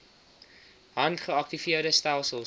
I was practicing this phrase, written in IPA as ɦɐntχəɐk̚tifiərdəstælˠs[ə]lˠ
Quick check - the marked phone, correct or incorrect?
correct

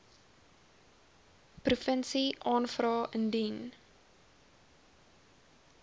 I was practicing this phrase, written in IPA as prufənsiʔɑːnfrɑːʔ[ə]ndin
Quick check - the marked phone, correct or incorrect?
correct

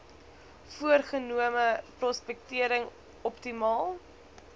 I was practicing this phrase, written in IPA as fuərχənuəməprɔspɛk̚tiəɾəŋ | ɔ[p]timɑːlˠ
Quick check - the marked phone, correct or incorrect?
correct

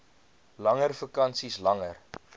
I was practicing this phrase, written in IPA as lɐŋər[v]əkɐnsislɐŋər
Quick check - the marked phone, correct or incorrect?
incorrect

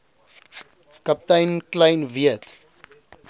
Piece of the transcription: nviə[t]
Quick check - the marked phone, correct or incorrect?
correct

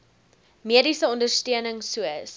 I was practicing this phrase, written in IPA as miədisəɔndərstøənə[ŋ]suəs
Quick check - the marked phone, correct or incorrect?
correct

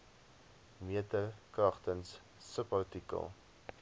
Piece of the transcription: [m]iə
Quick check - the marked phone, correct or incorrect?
correct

